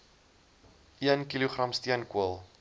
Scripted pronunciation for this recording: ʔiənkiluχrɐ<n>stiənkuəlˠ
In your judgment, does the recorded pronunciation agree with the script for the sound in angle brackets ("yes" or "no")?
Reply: no